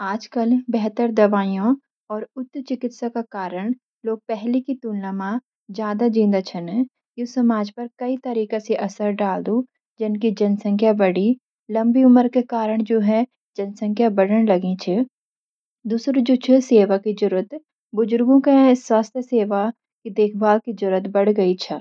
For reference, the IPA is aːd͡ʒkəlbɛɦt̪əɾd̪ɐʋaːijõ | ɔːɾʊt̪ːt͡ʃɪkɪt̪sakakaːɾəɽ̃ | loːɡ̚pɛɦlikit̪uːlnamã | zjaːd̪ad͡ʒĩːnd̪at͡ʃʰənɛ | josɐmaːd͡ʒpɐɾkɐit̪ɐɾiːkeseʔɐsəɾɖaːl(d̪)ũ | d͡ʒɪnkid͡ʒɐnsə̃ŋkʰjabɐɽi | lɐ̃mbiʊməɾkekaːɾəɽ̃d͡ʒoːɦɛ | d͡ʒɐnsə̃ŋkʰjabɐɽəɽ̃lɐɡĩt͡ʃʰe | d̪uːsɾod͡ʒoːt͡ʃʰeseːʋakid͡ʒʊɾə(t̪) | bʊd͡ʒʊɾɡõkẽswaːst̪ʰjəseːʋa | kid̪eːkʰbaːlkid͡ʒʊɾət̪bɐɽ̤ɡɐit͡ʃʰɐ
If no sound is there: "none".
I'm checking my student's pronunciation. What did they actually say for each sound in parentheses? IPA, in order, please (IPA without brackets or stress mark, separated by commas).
d̪, t̪